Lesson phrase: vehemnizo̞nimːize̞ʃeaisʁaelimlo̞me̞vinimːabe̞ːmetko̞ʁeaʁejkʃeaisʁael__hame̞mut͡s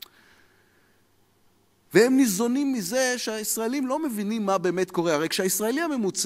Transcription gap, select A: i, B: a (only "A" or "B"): A